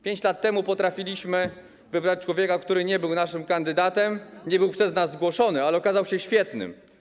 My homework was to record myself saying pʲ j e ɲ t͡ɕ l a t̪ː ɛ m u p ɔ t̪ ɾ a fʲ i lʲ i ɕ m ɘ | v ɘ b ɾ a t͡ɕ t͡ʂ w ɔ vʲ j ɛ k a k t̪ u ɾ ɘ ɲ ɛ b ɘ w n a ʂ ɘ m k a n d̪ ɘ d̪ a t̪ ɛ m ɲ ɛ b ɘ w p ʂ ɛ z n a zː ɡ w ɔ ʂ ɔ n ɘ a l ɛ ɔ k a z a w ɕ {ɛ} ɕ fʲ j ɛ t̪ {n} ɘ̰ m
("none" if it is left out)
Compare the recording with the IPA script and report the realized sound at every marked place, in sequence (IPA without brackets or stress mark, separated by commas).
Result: ɛ, n